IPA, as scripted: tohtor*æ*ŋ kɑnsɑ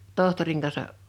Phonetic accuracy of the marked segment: incorrect: i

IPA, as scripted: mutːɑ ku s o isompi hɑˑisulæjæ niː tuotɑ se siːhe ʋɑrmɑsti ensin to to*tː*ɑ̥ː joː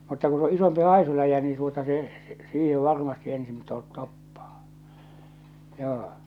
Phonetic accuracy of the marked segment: incorrect: pː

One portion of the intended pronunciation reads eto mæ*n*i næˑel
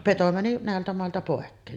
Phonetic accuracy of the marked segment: correct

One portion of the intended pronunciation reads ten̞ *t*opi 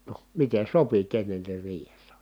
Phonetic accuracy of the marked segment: incorrect: s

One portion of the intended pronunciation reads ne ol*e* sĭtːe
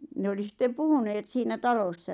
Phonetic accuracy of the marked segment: incorrect: i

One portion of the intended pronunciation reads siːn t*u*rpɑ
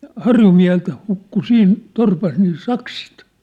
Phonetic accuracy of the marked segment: incorrect: o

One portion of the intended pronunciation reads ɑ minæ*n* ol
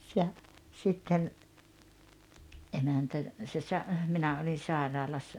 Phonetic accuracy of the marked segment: incorrect: none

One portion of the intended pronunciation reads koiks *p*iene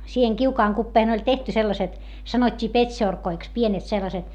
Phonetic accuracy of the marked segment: correct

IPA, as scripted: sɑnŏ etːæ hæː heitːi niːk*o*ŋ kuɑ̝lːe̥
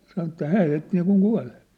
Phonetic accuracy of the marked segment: incorrect: u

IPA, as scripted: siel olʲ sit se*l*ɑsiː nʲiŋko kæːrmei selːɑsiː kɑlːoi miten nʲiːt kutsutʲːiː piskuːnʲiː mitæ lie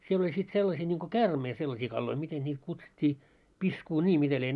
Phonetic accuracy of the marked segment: incorrect: lː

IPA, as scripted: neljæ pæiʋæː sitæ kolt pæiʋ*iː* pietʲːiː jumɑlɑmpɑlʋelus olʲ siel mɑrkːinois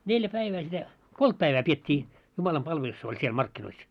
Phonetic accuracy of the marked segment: incorrect: æː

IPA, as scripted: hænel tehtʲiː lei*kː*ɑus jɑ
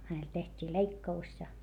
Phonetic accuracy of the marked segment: correct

